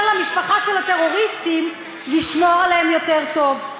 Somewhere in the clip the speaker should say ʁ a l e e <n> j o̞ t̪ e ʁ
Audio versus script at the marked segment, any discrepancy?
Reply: yes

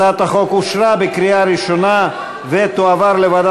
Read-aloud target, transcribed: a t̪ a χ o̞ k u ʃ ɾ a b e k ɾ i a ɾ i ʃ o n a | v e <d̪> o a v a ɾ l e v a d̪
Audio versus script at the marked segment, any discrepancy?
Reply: yes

